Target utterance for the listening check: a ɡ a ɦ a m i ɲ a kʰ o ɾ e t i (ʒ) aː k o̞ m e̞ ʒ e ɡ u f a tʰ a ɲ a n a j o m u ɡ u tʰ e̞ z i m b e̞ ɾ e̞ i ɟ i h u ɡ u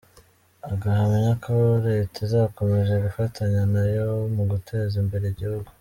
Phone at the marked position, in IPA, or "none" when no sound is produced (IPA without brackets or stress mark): z